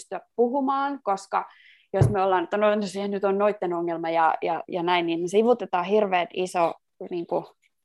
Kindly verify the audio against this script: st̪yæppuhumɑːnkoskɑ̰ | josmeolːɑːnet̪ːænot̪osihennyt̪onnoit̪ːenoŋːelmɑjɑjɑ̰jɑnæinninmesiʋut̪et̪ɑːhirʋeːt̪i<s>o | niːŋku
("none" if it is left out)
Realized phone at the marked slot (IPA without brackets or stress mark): s